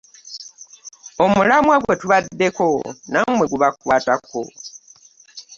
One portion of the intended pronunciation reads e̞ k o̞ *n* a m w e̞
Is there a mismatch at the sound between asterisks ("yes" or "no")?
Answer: no